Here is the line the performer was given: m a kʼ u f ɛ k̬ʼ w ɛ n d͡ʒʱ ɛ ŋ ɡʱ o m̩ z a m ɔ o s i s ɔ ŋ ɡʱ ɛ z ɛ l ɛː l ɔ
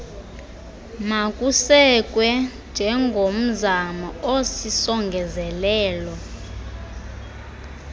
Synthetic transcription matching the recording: m a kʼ u s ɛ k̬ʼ w ɛ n d͡ʒʱ ɛ ŋ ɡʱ o m̩ z a m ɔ o s i s ɔ ŋ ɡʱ ɛ z ɛ l ɛː l ɔ